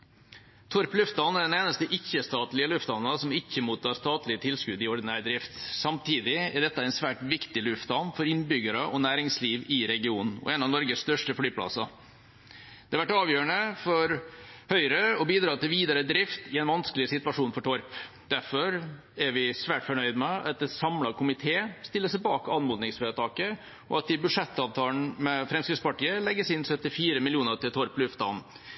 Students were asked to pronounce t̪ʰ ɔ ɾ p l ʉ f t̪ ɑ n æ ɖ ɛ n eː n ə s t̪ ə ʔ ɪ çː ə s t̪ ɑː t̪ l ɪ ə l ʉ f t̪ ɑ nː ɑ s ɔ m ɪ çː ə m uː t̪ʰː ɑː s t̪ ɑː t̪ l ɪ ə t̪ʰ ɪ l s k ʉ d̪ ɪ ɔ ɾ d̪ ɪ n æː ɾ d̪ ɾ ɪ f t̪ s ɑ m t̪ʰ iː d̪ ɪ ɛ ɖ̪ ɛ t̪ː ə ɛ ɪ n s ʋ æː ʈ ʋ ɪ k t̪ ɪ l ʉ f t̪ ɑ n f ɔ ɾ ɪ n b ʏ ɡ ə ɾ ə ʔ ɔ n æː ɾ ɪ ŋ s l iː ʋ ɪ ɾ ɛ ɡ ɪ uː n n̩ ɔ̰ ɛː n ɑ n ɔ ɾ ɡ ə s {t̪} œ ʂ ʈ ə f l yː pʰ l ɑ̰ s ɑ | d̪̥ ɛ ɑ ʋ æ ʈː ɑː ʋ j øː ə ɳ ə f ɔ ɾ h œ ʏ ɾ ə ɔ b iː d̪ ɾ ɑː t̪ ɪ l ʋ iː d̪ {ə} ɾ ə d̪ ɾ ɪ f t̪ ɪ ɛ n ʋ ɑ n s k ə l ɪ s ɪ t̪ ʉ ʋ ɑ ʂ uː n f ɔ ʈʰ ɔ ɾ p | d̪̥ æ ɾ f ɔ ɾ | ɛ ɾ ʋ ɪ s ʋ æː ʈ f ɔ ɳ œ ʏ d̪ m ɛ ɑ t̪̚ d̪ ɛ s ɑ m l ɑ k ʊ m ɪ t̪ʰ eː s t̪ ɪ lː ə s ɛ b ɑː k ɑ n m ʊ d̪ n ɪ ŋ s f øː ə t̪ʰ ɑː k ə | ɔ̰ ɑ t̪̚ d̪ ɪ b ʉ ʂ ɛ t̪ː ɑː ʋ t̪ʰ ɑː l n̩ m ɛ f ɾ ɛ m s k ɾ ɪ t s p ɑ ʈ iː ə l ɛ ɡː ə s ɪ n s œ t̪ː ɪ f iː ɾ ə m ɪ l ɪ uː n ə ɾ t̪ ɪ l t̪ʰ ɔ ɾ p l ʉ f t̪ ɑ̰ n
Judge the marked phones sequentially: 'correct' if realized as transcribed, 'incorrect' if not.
correct, incorrect: ɑ

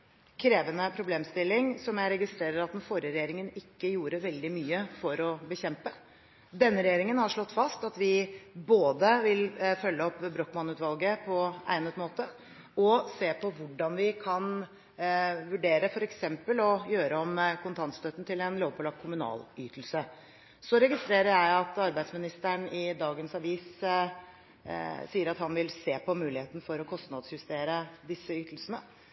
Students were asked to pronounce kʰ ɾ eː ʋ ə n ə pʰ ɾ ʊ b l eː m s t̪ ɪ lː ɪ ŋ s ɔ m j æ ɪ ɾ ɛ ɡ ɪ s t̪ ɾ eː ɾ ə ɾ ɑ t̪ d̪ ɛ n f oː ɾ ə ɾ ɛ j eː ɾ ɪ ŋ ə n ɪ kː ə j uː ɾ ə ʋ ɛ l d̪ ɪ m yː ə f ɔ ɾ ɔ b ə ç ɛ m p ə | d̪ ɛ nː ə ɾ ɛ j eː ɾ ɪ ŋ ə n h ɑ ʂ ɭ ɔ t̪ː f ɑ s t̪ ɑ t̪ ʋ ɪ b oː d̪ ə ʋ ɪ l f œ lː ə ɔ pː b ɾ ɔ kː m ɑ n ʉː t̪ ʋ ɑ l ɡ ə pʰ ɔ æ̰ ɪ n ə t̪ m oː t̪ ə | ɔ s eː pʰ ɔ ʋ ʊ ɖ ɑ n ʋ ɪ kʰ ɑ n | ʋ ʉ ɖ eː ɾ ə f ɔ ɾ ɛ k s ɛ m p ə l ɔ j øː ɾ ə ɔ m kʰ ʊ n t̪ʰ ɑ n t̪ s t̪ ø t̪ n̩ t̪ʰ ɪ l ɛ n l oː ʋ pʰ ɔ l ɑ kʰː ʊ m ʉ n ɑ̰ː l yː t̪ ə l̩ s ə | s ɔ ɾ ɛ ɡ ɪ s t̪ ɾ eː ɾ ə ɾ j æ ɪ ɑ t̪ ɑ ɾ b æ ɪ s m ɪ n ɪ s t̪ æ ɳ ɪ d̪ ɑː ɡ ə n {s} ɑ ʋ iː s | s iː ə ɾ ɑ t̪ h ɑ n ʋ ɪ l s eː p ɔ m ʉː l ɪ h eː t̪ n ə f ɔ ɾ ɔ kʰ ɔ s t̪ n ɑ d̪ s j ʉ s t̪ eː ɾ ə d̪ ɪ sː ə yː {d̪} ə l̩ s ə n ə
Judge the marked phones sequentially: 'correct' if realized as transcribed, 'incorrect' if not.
correct, incorrect: t̪

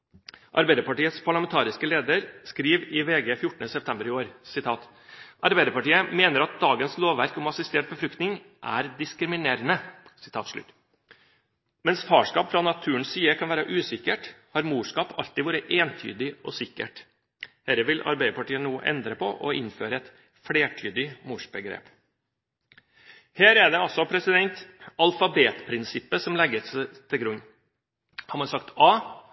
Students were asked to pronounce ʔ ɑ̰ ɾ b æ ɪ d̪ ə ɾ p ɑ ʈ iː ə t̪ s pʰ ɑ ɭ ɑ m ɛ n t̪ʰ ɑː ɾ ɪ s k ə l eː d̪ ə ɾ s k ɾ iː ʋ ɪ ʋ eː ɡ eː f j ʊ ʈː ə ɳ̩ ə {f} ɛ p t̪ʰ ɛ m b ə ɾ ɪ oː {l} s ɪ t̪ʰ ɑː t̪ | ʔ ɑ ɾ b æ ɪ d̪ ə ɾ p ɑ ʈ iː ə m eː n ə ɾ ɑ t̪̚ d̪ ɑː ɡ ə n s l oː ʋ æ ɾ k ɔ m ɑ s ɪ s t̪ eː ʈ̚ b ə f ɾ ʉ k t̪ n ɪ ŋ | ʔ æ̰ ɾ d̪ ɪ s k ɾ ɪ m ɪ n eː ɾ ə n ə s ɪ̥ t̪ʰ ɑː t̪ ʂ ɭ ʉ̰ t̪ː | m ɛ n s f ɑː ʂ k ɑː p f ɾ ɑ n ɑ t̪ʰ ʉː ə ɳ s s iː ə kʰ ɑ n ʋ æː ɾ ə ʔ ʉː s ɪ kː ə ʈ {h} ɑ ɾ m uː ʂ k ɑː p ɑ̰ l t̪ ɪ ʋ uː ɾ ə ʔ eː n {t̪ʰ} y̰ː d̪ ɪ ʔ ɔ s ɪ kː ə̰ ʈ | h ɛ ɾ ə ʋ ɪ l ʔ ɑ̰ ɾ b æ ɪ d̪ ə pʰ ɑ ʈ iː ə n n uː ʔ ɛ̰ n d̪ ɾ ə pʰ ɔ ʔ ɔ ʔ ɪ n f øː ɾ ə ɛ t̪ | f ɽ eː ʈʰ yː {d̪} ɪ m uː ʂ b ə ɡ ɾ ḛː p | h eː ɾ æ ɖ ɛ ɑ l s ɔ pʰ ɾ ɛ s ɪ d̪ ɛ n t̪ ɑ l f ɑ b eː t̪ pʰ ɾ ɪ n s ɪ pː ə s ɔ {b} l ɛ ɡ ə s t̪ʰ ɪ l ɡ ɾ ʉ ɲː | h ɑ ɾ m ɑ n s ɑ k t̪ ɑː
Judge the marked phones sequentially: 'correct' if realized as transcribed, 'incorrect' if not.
incorrect: s, incorrect: ɾ, correct, correct, correct, incorrect: m

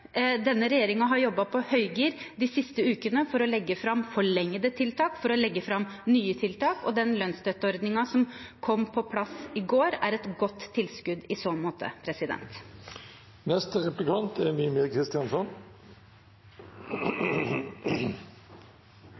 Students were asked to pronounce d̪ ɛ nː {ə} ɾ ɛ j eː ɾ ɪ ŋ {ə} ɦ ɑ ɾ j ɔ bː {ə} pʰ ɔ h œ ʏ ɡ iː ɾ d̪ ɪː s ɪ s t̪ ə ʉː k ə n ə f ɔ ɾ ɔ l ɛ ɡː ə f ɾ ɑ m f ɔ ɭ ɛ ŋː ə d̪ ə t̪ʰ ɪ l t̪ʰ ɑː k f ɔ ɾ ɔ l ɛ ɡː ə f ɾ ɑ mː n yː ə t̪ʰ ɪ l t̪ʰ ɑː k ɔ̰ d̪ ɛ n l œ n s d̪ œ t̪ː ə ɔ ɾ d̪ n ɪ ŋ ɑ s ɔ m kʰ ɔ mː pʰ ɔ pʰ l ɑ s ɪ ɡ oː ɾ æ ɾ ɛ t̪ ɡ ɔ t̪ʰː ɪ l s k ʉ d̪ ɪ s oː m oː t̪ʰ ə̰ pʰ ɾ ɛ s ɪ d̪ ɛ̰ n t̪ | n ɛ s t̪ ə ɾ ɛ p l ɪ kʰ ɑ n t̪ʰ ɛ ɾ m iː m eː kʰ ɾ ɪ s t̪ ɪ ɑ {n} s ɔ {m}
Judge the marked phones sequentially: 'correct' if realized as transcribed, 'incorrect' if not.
correct, incorrect: ɑ, incorrect: ɑ, correct, incorrect: n

